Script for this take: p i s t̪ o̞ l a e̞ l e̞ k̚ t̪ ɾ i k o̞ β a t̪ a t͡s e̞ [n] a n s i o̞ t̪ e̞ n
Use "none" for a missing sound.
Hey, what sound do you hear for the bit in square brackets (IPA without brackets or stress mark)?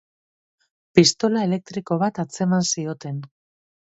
m